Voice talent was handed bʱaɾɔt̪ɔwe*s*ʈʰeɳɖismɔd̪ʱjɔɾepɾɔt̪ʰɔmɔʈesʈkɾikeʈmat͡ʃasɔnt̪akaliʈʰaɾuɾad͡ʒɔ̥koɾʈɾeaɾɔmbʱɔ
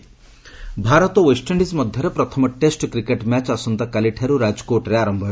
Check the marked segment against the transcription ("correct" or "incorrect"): correct